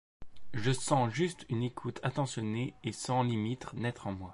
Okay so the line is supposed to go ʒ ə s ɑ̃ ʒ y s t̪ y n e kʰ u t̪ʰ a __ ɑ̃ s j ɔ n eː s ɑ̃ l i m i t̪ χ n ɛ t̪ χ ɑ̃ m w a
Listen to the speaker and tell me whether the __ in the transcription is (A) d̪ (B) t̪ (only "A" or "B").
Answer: B